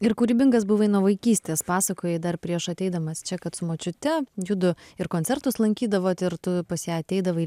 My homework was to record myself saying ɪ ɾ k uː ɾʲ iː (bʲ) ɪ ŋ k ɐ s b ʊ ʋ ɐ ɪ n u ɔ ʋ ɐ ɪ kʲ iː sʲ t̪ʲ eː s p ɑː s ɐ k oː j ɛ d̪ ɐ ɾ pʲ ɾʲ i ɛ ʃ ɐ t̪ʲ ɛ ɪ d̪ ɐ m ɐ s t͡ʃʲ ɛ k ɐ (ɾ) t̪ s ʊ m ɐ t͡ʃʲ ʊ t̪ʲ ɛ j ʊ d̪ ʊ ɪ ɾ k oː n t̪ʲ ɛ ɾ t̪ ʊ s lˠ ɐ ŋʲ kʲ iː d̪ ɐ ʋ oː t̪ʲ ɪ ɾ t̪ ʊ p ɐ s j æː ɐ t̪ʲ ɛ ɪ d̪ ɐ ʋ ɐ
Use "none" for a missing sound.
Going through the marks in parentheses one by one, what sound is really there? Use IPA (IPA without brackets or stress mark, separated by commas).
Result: bʲ, none